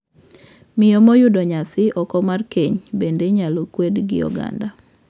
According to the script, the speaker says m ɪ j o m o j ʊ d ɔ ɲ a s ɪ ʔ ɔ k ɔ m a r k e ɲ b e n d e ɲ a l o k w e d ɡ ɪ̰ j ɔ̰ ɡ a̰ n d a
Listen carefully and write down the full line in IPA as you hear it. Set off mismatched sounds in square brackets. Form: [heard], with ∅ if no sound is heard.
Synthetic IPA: m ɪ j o m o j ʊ d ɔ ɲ a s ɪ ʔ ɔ k ɔ m a r k e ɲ b e n d e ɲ a l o k w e d ɡ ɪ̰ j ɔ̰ ɡ a̰ n d a